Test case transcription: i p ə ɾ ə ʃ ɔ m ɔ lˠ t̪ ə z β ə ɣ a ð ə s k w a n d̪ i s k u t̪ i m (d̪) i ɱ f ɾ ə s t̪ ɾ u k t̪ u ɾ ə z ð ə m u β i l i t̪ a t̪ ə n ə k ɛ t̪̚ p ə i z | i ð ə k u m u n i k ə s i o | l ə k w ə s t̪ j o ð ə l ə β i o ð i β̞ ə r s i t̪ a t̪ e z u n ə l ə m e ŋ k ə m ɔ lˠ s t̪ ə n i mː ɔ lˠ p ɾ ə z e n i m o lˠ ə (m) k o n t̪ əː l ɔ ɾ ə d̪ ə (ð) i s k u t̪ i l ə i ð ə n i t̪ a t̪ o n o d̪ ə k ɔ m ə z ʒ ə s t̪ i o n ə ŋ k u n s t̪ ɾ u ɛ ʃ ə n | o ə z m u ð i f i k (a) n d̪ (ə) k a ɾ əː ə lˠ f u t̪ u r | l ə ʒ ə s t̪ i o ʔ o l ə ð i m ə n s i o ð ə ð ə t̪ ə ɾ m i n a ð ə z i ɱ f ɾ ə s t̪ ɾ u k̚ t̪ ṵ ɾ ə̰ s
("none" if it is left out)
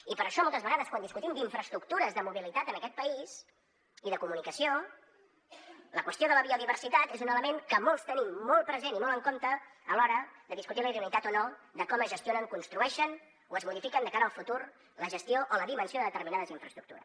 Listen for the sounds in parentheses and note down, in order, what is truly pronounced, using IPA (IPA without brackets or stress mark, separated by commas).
d̪, ŋ, ð, ə, ə